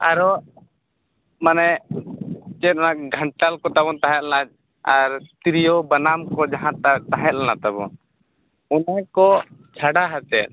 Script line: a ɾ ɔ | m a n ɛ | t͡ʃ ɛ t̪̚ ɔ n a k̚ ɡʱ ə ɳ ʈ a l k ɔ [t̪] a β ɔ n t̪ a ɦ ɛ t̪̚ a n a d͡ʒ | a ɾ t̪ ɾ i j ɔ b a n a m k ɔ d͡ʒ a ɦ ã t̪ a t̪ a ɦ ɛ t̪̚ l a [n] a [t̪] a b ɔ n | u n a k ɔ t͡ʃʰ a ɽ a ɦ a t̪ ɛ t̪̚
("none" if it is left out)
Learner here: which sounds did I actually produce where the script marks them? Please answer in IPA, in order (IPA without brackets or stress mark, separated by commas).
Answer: t̪, n, t̪